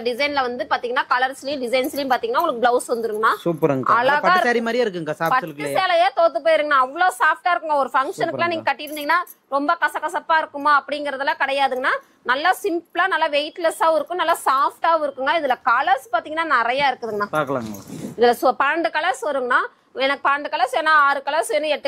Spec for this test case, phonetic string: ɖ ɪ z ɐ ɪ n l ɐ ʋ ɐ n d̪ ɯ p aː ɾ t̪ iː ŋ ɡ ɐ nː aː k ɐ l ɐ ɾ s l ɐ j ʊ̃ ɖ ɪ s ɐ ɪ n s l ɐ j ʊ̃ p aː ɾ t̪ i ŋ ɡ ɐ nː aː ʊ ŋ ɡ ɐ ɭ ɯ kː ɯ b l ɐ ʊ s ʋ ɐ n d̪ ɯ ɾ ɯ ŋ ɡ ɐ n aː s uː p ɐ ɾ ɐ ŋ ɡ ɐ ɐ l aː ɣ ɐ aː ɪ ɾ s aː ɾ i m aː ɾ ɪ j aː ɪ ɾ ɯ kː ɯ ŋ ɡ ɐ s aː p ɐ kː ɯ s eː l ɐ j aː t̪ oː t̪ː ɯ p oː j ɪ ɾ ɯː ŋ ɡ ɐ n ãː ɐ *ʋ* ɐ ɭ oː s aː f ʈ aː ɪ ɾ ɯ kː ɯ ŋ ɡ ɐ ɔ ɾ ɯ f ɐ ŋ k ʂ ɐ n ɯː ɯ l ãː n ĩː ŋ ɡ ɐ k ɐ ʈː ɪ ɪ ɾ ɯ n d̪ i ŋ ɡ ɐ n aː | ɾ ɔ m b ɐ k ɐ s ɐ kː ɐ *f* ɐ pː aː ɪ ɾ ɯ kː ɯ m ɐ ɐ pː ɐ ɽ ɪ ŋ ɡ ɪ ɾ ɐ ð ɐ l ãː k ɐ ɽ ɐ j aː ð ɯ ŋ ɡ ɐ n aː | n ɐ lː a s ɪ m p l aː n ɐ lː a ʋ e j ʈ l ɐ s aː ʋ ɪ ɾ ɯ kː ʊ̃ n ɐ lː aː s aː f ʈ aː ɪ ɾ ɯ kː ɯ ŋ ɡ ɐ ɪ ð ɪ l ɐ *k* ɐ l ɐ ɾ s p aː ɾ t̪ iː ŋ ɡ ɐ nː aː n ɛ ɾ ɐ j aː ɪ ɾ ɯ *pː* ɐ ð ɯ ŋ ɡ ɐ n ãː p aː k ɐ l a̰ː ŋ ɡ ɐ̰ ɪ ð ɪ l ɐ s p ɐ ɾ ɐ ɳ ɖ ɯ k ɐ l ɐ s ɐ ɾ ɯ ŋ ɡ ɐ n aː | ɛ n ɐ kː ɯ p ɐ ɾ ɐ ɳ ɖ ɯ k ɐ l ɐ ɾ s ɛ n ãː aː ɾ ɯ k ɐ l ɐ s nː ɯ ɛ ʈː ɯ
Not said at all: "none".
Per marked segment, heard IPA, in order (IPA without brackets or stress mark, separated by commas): ʋː, s, k, kː